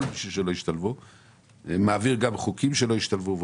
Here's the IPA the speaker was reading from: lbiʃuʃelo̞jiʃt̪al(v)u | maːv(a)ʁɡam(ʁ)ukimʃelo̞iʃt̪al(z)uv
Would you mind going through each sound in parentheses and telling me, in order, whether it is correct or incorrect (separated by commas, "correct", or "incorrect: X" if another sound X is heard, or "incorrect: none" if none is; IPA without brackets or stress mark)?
correct, incorrect: i, incorrect: χ, incorrect: v